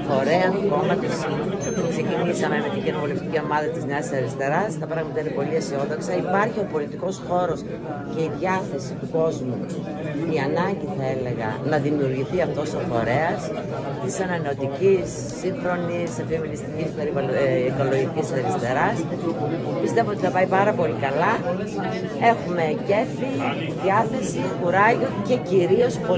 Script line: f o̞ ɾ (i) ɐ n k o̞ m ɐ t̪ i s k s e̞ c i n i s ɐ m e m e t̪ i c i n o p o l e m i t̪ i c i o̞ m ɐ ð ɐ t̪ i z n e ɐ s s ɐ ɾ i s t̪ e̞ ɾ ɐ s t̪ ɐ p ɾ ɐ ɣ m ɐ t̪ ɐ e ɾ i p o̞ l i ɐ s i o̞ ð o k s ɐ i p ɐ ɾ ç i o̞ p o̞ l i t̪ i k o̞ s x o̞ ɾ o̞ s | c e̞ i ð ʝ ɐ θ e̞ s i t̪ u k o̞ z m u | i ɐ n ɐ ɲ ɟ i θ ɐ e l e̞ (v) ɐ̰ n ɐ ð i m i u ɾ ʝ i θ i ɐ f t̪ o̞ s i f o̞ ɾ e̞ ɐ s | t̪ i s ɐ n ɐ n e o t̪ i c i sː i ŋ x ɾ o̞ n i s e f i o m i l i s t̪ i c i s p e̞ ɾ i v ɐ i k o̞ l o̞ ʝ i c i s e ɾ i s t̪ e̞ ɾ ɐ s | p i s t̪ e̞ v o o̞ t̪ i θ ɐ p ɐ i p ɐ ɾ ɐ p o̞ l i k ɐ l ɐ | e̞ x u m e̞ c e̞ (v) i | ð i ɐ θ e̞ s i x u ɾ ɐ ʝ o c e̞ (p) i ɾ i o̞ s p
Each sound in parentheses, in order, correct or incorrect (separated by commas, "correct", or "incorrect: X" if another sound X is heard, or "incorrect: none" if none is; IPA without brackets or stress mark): incorrect: e, incorrect: ɣ, incorrect: f, incorrect: c